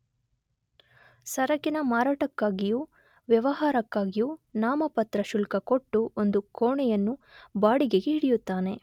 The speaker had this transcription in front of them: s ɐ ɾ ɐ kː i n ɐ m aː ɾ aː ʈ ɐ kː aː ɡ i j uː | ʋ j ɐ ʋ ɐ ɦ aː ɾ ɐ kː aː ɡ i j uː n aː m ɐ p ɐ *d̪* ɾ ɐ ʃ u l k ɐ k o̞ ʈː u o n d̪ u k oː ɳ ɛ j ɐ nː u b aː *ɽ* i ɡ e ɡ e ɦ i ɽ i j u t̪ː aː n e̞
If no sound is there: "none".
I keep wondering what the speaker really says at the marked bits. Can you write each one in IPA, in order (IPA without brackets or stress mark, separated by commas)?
t̪, ɽ